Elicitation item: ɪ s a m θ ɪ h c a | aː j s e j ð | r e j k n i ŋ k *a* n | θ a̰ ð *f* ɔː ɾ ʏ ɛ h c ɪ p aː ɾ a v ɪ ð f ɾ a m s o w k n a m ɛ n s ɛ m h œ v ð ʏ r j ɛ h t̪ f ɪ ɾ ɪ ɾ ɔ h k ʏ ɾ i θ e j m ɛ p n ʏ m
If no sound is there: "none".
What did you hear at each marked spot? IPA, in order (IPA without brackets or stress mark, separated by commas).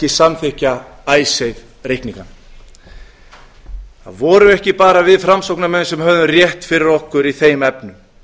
a, v